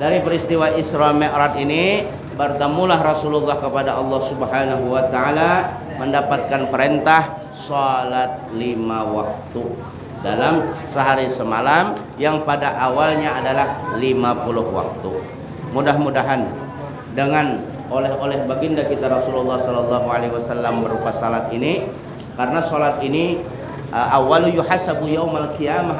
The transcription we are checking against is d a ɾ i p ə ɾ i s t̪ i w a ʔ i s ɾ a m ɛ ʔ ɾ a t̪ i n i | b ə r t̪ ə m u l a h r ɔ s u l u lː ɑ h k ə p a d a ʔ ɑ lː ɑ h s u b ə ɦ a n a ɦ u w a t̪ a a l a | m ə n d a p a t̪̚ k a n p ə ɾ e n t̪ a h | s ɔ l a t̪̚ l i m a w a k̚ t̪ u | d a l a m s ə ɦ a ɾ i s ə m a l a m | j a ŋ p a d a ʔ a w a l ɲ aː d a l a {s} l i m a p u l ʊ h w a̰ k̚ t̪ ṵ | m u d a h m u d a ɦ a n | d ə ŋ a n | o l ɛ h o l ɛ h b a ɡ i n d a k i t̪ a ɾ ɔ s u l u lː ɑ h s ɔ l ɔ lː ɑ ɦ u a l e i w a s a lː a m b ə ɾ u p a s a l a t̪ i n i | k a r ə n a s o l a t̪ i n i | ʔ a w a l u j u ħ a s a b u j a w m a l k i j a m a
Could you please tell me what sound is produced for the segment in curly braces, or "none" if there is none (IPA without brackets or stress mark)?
h